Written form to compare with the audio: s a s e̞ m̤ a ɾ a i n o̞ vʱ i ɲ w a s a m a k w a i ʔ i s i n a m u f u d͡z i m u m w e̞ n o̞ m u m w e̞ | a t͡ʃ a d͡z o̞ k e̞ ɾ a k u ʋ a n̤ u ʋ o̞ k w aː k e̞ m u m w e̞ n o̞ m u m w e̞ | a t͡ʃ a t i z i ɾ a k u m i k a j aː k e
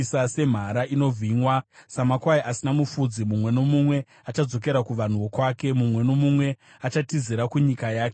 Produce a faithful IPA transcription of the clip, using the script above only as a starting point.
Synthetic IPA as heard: s a s e̞ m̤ a ɾ a i n o̞ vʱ i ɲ w a s a m a k w a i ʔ a s i n a m u f u d͡z i m u m w e̞ n o̞ m u m w e̞ | a t͡ʃ a d͡z o̞ k e̞ ɾ a k u ʋ a n̤ u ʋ o̞ k w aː k e̞ m u m w e̞ n o̞ m u m w e̞ | a t͡ʃ a t i z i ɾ a k u ɲ i k a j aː k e